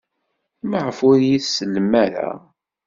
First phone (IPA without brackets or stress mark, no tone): m